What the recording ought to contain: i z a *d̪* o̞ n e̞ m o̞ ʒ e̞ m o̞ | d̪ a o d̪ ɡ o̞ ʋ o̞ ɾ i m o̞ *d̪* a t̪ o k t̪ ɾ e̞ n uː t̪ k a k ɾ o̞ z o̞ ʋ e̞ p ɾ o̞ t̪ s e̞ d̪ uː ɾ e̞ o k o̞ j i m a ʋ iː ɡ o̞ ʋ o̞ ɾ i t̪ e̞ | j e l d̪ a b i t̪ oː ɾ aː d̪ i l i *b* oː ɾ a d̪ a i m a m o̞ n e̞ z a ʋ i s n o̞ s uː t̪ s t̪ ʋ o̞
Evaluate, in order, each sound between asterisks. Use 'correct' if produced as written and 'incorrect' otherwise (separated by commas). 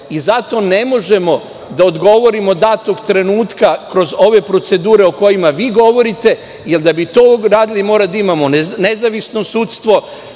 incorrect, correct, incorrect